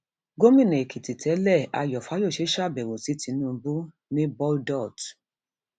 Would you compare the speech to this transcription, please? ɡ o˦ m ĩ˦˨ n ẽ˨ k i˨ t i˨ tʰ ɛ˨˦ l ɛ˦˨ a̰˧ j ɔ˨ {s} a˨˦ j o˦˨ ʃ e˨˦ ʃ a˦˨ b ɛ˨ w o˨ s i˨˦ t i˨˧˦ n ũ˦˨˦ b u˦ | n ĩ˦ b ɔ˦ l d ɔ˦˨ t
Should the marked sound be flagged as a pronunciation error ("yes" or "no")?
yes